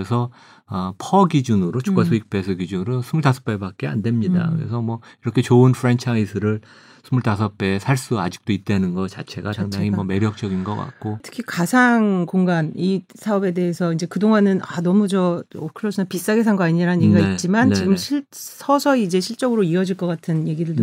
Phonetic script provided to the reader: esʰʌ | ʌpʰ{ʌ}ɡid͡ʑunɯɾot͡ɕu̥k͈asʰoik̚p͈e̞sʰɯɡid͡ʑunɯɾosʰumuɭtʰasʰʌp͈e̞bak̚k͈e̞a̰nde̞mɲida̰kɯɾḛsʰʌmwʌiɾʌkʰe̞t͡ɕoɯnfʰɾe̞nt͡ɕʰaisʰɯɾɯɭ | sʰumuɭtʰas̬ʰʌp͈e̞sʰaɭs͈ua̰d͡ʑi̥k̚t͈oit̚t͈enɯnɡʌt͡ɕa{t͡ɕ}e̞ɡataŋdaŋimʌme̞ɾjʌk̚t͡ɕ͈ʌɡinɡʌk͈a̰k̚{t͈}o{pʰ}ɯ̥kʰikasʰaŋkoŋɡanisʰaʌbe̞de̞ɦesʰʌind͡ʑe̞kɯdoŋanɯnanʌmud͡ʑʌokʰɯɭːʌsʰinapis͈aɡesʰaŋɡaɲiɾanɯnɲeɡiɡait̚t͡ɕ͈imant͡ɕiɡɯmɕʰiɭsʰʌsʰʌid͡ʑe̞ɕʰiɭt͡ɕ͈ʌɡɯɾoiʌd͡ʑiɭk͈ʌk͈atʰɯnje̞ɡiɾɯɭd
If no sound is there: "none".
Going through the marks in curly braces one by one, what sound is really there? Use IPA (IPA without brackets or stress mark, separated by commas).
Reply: ʌ, t͡ɕʰ, k͈, tʰ